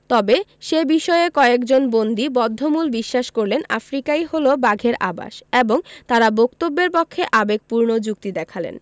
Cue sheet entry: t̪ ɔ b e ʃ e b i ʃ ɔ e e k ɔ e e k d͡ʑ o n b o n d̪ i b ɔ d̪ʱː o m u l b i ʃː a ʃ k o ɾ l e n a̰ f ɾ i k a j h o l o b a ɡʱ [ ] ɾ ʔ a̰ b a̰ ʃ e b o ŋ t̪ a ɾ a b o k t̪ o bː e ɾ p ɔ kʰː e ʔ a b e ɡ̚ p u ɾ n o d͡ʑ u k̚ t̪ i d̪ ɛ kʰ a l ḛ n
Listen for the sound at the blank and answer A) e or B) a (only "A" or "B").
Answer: A